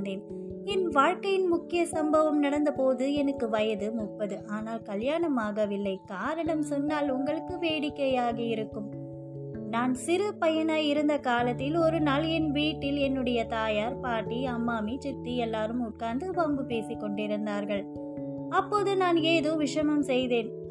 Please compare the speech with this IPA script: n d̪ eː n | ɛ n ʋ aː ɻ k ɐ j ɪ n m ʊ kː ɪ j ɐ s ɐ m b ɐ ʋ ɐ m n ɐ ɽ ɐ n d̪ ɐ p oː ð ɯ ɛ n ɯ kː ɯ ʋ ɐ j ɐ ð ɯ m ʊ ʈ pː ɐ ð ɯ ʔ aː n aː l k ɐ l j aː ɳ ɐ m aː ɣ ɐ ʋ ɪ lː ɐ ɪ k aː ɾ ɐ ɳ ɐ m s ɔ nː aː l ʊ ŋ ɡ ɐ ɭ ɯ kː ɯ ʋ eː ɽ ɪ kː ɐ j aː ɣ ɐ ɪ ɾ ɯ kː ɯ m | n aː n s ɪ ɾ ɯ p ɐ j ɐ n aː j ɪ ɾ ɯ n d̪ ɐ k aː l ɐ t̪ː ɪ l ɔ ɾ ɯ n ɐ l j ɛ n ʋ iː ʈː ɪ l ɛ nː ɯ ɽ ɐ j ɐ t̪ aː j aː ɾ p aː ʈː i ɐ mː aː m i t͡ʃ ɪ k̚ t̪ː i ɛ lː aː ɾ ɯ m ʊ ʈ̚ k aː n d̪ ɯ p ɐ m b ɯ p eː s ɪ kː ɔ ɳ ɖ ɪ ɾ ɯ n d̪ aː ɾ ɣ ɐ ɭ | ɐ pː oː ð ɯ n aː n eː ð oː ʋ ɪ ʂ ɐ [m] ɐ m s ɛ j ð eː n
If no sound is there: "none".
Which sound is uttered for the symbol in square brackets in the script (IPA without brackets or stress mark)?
m